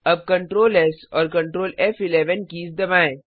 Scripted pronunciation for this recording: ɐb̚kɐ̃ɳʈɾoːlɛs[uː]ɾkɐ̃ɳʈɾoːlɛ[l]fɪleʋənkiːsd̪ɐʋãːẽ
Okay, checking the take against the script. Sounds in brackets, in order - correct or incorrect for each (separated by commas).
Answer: incorrect, incorrect